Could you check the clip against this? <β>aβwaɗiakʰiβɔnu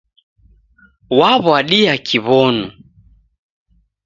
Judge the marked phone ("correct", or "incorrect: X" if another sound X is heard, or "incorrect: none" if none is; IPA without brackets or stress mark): incorrect: w